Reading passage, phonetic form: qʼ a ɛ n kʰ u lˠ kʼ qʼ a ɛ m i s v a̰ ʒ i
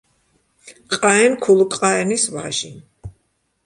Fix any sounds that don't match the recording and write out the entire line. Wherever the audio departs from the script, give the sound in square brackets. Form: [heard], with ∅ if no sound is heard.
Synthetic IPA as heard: qʼ a ɛ n kʰ u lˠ kʼ qʼ a ɛ [n] i s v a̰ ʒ i